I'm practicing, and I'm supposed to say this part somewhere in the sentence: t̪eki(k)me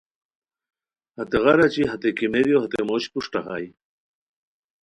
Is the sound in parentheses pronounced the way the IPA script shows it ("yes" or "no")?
no